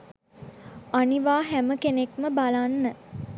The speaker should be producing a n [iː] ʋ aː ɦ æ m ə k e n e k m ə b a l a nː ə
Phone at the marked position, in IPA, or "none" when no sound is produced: i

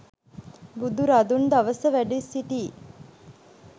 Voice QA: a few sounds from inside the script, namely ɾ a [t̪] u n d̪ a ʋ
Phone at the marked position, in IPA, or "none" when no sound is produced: d̪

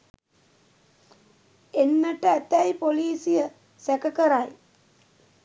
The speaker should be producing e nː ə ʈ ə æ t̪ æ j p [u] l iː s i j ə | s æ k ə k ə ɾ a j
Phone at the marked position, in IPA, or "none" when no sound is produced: o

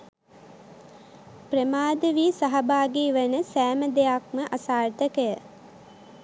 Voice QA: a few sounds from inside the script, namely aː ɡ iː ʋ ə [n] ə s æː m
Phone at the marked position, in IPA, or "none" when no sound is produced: n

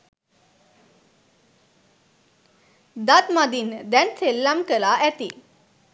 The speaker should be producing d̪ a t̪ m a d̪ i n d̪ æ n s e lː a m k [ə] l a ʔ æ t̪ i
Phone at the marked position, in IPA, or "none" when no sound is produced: ə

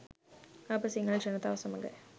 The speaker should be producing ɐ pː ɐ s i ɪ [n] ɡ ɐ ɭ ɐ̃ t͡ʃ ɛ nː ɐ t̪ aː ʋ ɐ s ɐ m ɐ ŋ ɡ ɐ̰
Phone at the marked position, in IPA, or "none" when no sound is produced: ŋ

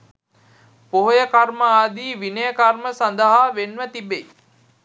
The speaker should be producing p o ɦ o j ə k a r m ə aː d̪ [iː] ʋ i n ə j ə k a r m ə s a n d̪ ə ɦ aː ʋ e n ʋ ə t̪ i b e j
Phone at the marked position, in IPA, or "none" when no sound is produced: iː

